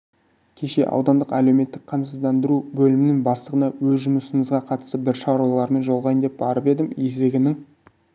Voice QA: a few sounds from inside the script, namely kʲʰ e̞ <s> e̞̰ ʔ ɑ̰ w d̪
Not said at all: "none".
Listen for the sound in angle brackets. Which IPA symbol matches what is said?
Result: ʃ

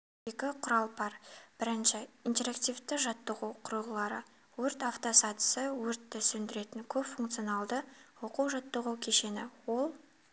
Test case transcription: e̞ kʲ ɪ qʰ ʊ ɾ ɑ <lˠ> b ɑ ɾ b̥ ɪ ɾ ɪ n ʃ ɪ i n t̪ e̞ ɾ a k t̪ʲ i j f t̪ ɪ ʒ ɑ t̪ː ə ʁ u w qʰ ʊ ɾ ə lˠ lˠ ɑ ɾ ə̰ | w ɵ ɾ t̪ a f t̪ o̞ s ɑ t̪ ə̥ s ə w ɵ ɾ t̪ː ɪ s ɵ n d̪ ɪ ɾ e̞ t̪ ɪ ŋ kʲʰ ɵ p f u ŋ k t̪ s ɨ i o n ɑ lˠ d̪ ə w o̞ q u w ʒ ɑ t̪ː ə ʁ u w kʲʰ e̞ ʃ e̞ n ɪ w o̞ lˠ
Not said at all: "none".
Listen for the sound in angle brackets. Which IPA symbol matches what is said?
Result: lˠ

